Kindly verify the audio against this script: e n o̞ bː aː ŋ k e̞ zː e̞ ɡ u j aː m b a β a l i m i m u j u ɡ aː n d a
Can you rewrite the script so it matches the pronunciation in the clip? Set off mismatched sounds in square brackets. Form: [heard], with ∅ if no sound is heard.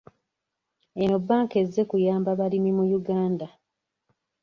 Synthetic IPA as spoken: e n o̞ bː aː ŋ k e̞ zː e̞ [k] u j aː m b a β a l i m i m u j u ɡ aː n d a

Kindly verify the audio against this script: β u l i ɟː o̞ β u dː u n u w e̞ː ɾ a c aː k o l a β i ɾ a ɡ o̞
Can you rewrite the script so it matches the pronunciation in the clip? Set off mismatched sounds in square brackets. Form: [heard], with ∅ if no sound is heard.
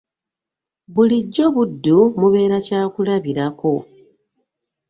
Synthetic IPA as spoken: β u l i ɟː o̞ β u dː u [m] u [β] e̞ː ɾ a c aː k [u] l a β i ɾ a [k] o̞

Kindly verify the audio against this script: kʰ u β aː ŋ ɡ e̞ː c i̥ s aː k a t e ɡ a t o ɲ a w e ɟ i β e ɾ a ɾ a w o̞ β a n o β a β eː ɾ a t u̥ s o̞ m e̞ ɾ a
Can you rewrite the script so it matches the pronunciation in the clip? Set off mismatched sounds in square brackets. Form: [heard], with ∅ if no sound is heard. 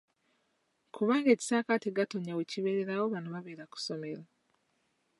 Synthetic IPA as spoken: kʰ u β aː ŋ ɡ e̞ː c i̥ s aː k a t e ɡ a t o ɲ a w e [c] i β e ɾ [e] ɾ a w o̞ β a n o β a β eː ɾ a [k] u̥ s o̞ m e̞ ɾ a

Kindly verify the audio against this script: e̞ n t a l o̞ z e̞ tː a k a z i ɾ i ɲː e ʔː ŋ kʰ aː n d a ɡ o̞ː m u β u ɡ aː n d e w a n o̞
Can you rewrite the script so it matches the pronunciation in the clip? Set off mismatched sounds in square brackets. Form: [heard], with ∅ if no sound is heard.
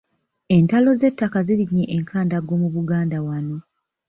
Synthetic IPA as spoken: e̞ n t a l o̞ z e̞ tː a k a z i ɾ i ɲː e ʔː ŋ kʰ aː n d a ɡ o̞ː m u β u ɡ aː n d [a] w a n o̞

